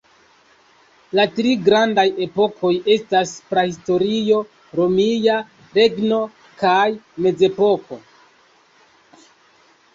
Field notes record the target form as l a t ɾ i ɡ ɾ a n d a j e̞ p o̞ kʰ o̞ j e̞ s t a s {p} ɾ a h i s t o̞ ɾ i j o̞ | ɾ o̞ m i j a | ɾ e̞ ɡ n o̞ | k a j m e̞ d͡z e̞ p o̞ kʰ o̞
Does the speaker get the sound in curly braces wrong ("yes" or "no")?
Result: no